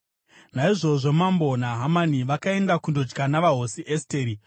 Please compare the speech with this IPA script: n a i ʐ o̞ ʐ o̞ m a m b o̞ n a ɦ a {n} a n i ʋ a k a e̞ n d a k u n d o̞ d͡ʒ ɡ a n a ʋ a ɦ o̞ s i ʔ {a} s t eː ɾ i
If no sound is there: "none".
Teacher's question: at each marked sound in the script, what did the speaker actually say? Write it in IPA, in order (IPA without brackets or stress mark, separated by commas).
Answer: m, e